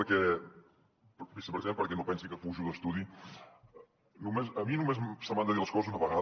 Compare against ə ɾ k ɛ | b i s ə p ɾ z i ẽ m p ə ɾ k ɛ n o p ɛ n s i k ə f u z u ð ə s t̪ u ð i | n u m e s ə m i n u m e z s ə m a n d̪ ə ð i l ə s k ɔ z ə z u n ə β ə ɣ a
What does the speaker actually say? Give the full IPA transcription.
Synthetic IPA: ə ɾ k ɛ | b i s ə p ɾ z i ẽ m p ə ɾ k ɛ n o p ɛ n s i k ə f u ʒ u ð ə s t̪ u ð i | n u m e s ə m i n u m e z s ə m a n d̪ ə ð i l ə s k ɔ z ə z u n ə β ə ɣ a